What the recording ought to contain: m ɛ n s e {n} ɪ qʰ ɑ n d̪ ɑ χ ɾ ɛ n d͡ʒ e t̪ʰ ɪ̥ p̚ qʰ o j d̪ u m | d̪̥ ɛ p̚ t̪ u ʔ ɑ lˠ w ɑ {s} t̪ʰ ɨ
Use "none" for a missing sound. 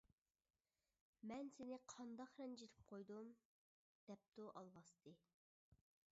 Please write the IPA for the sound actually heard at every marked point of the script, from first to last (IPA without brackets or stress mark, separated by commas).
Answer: n, s